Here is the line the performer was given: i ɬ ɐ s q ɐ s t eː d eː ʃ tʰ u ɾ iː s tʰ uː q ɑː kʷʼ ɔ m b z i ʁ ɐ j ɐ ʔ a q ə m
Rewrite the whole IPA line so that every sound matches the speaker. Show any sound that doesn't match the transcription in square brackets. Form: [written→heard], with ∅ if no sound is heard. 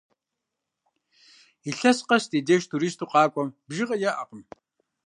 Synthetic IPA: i ɬ ɐ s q ɐ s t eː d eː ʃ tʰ u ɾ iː s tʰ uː q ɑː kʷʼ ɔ m b [z→ʒ] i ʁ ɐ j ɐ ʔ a q ə m